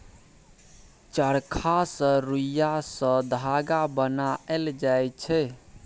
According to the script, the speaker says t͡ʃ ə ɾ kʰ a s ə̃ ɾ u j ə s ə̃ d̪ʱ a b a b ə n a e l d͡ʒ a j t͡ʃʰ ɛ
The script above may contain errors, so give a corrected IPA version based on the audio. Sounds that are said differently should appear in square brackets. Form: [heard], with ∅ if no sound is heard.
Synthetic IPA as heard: t͡ʃ ə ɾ kʰ a s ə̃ ɾ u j [a] s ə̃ d̪ʱ a [ɡ] a b ə n a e l d͡ʒ a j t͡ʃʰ ɛ